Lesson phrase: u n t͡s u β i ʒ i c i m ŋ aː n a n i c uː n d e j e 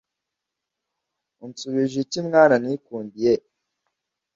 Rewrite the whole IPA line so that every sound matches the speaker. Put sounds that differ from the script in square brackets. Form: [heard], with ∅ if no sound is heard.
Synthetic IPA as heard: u n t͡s u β i ʒ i c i m ŋ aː n a n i [k] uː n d [i] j e